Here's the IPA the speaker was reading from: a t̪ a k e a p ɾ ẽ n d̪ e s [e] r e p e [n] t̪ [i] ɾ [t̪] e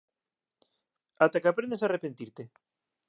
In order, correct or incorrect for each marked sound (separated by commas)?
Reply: incorrect, correct, correct, correct